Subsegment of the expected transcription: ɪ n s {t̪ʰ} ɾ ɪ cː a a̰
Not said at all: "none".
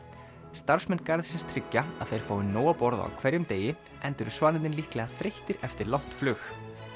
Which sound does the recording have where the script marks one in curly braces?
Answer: t̪ʰ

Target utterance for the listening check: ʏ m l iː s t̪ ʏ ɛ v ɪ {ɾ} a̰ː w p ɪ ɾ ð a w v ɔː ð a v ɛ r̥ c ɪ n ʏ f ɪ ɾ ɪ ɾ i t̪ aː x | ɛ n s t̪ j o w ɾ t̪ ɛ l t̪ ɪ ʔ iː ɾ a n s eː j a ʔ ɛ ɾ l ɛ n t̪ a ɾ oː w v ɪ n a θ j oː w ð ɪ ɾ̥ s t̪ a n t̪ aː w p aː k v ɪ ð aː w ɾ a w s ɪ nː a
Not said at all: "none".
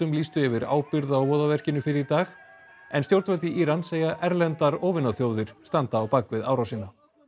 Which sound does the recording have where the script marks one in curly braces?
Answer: ɾ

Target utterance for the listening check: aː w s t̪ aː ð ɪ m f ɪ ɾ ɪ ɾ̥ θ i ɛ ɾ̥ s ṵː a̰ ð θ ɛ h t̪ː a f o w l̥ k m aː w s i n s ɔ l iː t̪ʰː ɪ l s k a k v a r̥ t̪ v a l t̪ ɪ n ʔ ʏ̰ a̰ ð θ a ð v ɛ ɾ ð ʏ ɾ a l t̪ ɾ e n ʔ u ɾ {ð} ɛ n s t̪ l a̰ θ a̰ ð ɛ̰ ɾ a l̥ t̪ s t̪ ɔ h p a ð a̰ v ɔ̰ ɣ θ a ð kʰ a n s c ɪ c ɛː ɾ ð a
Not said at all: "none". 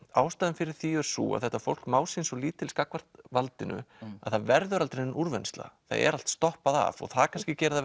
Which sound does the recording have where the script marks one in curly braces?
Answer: v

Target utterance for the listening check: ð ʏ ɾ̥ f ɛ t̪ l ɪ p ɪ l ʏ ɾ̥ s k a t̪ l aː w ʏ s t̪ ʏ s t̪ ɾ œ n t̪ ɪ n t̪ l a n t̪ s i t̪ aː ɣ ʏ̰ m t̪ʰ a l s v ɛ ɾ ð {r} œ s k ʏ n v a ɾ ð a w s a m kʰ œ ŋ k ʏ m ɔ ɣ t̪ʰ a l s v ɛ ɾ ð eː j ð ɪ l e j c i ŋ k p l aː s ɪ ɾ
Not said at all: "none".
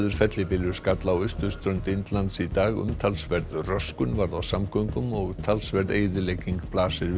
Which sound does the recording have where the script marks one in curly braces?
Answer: r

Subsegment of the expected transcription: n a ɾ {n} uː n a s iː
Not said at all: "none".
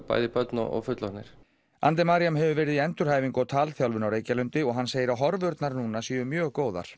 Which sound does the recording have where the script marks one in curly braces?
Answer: n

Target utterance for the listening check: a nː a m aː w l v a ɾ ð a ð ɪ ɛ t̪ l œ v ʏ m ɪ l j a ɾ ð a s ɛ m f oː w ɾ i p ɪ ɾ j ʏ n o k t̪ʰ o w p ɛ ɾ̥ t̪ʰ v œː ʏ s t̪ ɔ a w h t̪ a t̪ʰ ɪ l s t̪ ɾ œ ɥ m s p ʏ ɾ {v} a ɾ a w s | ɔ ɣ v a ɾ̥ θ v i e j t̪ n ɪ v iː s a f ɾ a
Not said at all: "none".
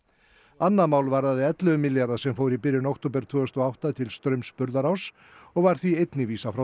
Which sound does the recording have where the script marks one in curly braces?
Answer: ð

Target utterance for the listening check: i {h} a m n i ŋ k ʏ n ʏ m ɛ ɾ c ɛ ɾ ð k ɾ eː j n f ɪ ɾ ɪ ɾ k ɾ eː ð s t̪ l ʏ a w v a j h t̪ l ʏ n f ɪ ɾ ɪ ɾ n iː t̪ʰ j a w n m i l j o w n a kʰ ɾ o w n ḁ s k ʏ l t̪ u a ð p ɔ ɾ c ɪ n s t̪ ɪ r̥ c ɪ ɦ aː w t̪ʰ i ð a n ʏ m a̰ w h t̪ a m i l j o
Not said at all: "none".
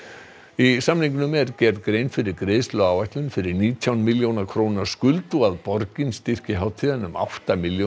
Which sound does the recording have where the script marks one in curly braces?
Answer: s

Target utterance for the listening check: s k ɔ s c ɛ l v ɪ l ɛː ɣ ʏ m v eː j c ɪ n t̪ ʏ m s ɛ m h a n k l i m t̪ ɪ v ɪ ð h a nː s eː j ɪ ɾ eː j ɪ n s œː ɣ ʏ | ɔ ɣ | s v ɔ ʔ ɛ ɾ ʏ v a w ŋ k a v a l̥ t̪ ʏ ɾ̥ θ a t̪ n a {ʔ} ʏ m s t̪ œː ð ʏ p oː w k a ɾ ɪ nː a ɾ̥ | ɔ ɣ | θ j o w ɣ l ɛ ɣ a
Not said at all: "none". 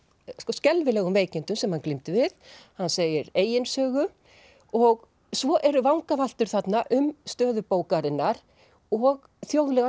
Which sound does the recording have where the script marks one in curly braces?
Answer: ʔ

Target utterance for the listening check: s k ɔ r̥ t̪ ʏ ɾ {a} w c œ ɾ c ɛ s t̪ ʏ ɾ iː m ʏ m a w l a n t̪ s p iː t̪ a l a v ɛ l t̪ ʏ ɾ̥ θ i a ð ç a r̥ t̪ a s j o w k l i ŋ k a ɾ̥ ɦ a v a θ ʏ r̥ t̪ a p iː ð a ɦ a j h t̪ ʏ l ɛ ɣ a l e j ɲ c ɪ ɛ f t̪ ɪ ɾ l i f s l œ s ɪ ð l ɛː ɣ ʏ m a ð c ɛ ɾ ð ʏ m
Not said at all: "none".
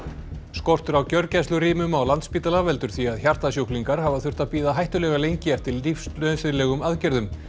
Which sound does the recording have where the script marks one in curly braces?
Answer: a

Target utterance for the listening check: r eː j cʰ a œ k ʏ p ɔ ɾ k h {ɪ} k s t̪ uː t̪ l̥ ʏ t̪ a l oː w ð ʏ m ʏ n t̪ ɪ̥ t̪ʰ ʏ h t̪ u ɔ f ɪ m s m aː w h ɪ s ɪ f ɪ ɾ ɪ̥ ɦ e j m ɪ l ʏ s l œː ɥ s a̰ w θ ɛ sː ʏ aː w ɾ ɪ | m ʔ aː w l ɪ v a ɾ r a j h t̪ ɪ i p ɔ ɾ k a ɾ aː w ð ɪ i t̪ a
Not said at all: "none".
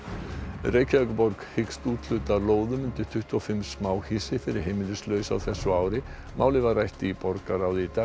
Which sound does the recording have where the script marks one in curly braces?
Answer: ɪ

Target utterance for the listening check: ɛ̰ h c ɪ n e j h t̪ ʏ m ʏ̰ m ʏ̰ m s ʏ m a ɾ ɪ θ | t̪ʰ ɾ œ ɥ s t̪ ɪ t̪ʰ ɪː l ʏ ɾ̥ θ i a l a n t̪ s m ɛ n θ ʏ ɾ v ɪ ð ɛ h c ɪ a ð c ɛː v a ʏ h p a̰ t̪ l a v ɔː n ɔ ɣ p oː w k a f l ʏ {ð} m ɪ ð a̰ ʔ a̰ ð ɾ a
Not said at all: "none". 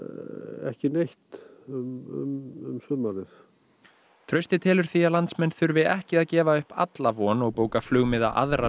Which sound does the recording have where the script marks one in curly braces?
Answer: ɣ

